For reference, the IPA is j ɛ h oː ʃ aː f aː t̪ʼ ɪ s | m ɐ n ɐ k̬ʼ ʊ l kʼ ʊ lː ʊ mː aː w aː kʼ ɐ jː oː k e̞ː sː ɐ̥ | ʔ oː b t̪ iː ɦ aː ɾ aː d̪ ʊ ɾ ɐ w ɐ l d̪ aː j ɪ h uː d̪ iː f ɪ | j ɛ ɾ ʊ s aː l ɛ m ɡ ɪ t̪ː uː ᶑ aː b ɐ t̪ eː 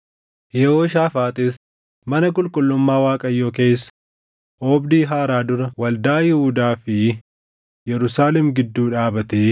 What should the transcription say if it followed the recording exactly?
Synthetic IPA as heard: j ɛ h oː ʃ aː f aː t̪ʼ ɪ s | m ɐ n ɐ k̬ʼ ʊ l kʼ ʊ lː ʊ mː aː w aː kʼ ɐ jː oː k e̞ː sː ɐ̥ | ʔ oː b d̪ iː ɦ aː ɾ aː d̪ ʊ ɾ ɐ w ɐ l d̪ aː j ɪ h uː d̪ aː f ɪ | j ɛ ɾ ʊ s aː l ɛ m ɡ ɪ d̪ː uː ᶑ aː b ɐ t̪ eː